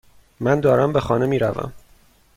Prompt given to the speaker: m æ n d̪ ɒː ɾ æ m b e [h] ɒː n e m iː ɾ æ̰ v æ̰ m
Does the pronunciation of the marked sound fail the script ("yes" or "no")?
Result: yes